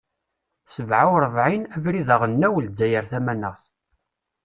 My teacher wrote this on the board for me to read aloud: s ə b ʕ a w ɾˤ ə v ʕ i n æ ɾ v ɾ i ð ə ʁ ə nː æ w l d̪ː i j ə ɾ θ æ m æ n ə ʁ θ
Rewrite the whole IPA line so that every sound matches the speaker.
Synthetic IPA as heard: s ə v ʕ a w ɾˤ ə v ʕ i n æ v ɾ i ð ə ʁ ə nː æ w l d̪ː æ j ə ɾ θ æ m æ n ə ʁ θ